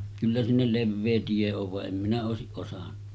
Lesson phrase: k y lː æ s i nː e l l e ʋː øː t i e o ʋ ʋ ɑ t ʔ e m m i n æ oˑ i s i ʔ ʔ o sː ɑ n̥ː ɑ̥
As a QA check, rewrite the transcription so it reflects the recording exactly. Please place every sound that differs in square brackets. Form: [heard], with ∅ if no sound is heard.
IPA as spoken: k y lː æ s i nː e l l e ʋː [eː] t i e o ʋ ʋ ɑ [ʔ] ʔ e m m i n æ oˑ [e] s i ʔ ʔ o [s] ɑ n̥ː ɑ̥